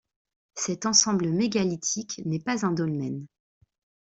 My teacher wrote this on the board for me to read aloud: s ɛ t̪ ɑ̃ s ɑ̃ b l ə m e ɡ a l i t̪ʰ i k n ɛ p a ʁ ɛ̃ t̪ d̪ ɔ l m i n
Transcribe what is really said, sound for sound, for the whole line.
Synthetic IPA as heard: s ɛ t̪ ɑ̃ s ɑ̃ b l ə m e ɡ a l i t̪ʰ i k n ɛ p a z ɛ̃ d̪ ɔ l m ɛ n